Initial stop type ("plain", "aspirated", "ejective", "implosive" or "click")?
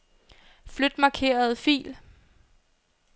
plain